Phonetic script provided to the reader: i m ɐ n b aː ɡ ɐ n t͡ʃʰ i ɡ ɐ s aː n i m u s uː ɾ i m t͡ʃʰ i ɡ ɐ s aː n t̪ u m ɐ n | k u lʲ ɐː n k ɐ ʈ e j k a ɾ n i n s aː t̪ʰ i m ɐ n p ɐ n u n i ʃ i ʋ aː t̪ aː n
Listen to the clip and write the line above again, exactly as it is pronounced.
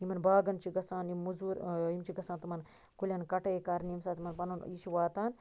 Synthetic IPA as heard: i m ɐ n b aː ɡ ɐ n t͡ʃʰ i ɡ ɐ s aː n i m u z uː ɾ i m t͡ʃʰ i ɡ ɐ s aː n t̪ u m ɐ n | k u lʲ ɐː n k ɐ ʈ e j k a ɾ n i m s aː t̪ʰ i m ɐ n p ɐ n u n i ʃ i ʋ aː t̪ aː n